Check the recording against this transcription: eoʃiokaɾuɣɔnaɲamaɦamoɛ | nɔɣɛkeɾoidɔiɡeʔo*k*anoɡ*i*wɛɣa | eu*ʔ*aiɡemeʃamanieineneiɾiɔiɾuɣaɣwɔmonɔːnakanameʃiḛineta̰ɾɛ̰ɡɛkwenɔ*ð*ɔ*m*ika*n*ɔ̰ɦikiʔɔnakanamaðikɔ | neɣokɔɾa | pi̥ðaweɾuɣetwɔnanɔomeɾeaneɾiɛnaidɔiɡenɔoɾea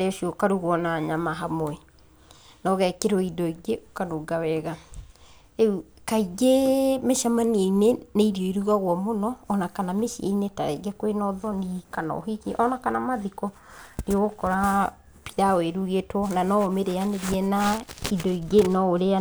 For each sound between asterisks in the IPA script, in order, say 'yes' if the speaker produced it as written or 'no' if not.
yes, no, no, yes, no, yes

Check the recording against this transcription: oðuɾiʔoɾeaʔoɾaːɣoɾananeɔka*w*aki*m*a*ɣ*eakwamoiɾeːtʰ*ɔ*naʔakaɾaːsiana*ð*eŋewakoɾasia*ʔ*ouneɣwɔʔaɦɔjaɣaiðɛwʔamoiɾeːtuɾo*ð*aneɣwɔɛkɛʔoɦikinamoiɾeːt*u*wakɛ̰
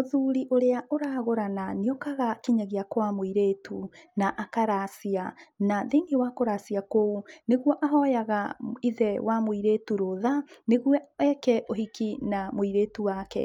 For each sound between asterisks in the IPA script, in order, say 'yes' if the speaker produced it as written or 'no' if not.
no, no, yes, no, yes, no, yes, yes

